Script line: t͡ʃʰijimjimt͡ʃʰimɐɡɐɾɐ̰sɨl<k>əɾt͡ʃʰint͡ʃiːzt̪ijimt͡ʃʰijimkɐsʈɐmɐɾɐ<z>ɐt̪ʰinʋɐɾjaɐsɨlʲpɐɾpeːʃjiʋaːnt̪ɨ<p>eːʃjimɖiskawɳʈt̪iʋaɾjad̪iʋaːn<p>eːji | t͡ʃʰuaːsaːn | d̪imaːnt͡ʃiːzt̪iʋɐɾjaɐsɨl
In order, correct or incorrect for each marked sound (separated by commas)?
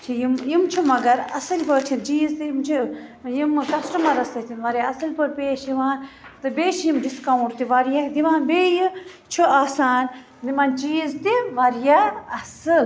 incorrect, incorrect, incorrect, incorrect